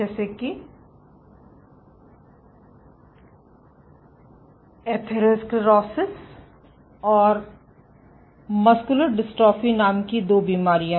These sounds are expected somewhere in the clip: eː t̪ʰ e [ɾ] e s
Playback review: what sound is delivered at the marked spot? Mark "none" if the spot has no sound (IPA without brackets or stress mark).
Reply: ɾ